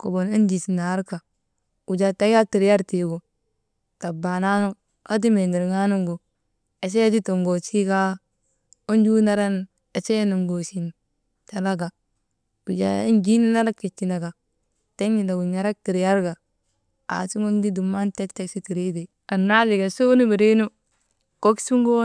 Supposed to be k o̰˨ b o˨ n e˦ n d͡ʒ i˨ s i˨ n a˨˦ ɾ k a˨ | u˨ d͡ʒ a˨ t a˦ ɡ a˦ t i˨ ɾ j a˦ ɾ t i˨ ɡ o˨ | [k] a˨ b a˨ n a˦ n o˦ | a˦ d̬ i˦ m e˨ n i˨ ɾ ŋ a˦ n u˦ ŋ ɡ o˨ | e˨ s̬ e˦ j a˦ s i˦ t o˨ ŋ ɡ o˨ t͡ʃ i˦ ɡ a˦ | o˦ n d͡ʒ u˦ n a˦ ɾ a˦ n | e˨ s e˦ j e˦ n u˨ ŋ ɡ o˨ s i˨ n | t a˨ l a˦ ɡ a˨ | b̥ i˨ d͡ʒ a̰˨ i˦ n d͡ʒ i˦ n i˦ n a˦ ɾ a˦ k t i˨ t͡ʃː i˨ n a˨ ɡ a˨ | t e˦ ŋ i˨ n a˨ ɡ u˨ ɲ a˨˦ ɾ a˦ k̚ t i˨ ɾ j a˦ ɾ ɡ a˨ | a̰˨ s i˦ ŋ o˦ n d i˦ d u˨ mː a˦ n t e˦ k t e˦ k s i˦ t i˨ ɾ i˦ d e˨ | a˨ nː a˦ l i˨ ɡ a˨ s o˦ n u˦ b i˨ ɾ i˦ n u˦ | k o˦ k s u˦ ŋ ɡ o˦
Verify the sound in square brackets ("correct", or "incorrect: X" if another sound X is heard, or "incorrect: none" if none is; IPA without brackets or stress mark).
incorrect: t